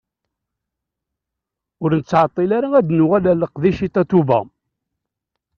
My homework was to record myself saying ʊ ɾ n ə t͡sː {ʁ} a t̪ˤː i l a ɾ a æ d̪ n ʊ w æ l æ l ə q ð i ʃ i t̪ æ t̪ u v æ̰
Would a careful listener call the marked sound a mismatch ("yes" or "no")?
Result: yes